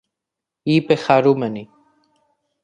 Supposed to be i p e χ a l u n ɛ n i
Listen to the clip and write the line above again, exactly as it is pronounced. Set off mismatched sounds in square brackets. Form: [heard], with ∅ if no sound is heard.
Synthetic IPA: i p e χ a [ɾ] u [m] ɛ n i